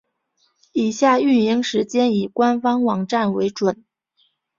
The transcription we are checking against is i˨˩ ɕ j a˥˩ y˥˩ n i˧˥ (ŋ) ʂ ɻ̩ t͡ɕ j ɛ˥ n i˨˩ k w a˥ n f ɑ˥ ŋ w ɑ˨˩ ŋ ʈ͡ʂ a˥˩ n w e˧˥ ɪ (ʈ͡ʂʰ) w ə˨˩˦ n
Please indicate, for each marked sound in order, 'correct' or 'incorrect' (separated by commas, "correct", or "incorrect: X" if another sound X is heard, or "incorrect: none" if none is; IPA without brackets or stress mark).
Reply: correct, incorrect: ʈ͡ʂ